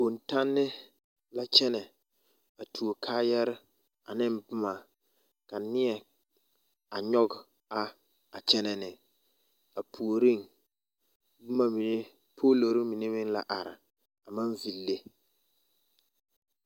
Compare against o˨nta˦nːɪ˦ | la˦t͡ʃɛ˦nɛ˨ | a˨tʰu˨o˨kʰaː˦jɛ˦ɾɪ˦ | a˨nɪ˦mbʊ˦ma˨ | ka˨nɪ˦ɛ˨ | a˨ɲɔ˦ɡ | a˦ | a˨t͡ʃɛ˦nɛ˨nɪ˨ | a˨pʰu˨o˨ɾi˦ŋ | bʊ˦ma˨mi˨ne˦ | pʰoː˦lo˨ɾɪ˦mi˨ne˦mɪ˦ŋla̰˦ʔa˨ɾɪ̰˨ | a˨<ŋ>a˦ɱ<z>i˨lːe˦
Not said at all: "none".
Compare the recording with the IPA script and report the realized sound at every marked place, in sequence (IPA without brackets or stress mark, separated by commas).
m, v